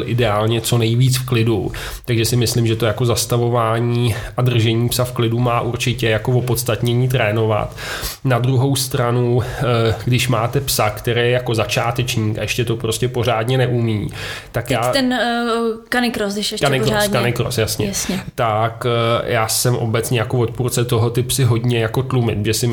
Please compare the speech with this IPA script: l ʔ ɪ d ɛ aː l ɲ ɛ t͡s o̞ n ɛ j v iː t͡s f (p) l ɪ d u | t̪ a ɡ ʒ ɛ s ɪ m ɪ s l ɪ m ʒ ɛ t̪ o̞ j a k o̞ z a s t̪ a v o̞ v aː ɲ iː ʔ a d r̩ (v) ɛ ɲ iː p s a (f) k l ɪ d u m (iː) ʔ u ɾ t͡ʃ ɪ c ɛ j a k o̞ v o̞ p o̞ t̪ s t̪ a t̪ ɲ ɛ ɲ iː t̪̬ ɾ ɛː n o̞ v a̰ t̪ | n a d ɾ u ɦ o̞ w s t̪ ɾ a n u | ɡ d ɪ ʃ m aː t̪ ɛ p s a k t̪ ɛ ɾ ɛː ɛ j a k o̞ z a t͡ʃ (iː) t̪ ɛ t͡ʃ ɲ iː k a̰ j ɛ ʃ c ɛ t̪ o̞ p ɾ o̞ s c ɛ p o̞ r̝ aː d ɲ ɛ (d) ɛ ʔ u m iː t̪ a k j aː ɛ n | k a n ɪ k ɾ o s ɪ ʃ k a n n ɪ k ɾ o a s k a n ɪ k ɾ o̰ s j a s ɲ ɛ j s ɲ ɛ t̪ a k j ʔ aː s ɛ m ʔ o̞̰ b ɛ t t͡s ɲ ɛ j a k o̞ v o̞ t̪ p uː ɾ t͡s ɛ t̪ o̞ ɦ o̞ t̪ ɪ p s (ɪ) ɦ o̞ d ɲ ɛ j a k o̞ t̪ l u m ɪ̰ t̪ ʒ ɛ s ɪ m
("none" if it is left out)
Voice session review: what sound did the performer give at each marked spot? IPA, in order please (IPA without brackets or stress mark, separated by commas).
k, ʒ, f, aː, aː, n, ɪ